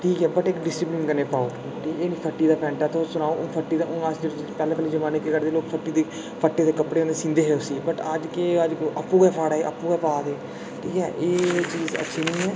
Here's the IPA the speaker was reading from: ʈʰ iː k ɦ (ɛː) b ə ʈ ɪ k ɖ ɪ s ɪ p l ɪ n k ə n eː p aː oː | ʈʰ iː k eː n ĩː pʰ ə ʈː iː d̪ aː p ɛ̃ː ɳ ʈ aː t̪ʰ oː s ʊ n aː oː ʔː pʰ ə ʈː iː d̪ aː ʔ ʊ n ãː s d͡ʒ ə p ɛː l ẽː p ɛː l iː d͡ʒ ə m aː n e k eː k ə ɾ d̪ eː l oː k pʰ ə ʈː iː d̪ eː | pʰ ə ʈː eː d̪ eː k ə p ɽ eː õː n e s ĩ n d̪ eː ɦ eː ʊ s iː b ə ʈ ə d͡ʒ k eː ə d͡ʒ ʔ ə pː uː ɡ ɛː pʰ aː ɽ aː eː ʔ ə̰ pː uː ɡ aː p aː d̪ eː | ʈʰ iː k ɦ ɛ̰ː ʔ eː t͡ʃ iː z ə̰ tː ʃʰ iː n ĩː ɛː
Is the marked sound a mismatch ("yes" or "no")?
no